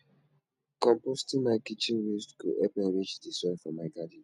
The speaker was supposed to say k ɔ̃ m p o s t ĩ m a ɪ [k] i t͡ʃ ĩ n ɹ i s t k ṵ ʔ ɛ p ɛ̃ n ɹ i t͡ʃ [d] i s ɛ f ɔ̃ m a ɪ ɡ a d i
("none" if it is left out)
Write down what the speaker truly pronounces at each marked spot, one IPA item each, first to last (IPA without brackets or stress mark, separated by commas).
k, d